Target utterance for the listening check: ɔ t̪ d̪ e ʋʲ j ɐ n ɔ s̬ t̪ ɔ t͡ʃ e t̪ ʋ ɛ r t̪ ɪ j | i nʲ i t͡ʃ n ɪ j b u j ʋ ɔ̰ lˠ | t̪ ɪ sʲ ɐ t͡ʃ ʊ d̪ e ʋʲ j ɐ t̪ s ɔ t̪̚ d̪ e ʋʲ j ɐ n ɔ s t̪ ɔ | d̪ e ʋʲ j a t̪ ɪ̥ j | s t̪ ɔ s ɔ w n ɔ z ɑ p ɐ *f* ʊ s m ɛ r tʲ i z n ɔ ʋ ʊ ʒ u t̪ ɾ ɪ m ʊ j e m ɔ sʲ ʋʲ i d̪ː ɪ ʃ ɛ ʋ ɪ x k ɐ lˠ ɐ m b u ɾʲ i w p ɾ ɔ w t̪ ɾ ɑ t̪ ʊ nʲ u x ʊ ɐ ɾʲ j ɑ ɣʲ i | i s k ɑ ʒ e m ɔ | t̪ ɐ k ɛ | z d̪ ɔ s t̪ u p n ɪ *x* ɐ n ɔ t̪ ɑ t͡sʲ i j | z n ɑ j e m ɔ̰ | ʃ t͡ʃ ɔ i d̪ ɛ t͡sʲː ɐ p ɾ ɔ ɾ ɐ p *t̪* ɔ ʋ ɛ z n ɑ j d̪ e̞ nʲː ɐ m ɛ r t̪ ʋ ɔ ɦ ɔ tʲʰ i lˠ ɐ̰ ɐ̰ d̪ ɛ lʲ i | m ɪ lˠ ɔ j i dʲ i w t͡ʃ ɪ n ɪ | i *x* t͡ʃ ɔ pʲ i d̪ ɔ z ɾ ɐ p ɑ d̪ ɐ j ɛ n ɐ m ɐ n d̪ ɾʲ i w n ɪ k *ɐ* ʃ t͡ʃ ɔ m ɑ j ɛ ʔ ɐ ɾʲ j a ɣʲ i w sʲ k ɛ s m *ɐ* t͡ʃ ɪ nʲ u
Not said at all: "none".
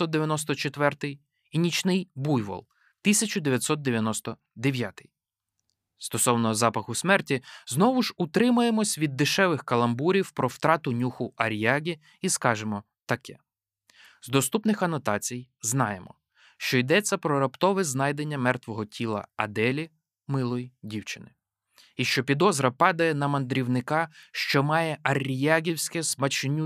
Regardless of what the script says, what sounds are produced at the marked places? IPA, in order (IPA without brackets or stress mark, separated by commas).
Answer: x, x, t̪, ʃ, ɑ, ɐ